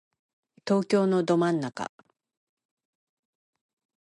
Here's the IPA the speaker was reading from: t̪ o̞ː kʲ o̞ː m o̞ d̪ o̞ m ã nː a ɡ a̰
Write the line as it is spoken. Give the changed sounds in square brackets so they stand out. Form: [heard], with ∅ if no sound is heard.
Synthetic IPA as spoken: t̪ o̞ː kʲ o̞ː [n] o̞ d̪ o̞ m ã nː a [k] a̰